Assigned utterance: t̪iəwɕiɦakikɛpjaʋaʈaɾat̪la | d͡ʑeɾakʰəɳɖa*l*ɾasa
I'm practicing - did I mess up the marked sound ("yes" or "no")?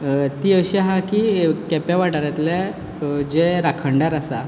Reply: yes